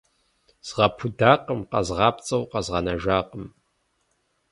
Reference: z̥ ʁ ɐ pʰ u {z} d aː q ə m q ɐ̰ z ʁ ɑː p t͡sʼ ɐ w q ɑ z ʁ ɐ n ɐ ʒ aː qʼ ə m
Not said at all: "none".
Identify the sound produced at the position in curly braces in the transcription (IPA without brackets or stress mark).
none